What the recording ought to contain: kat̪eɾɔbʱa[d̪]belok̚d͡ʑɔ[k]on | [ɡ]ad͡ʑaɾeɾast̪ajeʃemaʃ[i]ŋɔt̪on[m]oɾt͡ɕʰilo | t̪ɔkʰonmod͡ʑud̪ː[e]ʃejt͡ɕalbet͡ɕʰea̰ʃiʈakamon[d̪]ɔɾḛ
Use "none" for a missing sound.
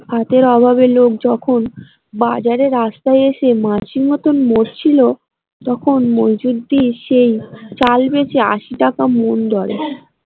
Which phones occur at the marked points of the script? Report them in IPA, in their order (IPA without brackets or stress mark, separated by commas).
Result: none, kʰ, b, i, m, i, d̪